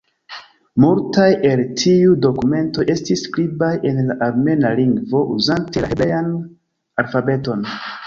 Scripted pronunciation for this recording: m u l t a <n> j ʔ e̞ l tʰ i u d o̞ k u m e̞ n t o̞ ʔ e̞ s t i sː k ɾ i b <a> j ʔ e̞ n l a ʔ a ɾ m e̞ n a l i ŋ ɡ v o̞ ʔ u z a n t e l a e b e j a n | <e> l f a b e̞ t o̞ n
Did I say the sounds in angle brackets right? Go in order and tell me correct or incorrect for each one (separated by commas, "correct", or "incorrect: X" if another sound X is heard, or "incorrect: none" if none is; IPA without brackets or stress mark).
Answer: incorrect: none, correct, incorrect: a